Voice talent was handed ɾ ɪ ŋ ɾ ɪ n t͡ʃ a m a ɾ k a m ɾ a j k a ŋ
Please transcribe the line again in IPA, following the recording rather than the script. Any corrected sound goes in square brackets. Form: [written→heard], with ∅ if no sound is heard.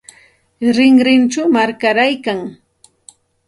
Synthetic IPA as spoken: ɾ ɪ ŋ ɾ ɪ n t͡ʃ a m a ɾ k a [m→∅] ɾ a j k a ŋ